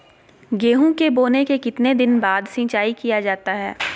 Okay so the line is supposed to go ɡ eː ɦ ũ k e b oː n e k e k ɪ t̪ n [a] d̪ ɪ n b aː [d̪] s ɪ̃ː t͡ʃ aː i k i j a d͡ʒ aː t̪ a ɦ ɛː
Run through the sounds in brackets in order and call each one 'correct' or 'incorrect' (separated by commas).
incorrect, correct